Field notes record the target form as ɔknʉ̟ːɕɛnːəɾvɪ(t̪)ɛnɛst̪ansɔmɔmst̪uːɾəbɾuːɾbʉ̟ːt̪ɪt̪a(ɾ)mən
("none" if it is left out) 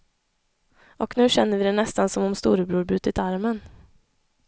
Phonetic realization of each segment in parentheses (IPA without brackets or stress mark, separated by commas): d̪, ɾ